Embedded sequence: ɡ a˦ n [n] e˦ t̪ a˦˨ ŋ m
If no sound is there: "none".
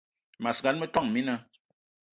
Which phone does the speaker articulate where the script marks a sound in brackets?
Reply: m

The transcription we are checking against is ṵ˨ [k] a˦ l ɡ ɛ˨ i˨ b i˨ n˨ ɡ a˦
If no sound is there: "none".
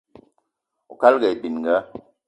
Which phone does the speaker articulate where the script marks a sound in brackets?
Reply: k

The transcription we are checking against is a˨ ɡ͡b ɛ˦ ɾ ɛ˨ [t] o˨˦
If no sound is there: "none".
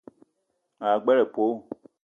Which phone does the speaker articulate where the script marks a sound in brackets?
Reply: p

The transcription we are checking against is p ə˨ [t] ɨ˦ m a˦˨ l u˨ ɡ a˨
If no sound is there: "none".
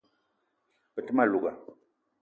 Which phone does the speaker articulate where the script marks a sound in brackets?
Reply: t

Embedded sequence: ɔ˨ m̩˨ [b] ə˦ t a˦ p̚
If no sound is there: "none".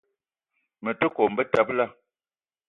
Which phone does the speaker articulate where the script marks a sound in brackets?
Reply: b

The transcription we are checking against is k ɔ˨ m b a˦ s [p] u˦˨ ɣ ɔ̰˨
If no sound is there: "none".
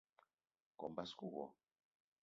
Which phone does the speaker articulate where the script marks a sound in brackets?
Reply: k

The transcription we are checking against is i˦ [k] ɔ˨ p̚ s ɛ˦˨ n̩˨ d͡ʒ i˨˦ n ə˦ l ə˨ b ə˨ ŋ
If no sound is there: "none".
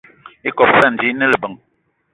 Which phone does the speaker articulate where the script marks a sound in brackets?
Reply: k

